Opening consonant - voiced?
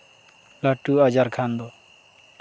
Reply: yes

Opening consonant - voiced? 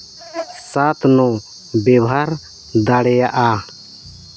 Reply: no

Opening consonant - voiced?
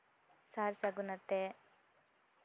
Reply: no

